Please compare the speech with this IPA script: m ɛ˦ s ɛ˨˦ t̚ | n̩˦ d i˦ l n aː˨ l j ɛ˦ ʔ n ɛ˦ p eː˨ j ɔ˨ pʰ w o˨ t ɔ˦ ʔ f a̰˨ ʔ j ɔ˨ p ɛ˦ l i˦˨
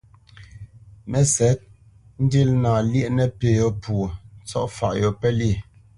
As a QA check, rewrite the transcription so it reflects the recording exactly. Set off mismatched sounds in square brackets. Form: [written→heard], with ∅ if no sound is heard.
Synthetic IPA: m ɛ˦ s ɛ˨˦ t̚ | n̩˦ d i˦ l n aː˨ l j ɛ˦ ʔ n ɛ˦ p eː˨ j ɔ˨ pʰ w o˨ [t→t͡s] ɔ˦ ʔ f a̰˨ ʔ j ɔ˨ p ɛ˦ l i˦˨

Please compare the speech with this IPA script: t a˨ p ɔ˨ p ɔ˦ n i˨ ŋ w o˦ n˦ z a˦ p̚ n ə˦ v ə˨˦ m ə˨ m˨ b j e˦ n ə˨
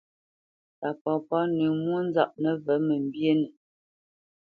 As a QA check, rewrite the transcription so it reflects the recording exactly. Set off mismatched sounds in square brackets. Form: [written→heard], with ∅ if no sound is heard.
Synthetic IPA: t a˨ p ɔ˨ p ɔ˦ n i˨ [ŋ→m] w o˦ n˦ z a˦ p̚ n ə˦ v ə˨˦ m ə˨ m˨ b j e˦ n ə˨

